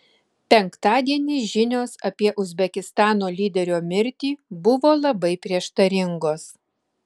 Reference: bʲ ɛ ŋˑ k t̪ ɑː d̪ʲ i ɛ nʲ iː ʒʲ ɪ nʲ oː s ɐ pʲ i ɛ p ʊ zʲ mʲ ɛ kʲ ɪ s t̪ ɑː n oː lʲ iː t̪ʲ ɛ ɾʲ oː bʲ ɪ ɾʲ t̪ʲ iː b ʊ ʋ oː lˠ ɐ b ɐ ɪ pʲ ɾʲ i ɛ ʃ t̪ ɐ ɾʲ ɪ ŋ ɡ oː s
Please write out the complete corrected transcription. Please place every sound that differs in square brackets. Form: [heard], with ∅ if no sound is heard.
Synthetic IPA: [pʲ] ɛ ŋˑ k t̪ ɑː d̪ʲ i ɛ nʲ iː ʒʲ ɪ nʲ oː s ɐ pʲ i ɛ [ʔ] ʊ zʲ [bʲ] ɛ kʲ ɪ s t̪ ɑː n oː lʲ iː [d̪ʲ] ɛ ɾʲ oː [mʲ] ɪ ɾʲ t̪ʲ iː b ʊ ʋ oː lˠ ɐ b ɐ ɪ pʲ ɾʲ i ɛ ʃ t̪ ɐ ɾʲ ɪ ŋ ɡ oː s